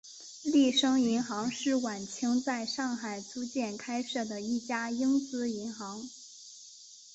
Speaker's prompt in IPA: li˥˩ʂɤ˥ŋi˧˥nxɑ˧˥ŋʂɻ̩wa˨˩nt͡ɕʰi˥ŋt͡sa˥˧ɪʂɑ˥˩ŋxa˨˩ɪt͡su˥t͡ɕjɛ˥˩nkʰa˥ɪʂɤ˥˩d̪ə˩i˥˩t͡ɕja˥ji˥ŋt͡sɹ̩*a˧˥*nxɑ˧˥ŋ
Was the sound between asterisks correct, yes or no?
no